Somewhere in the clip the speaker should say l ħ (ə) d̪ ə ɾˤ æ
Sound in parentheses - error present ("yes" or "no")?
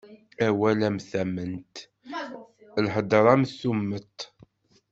no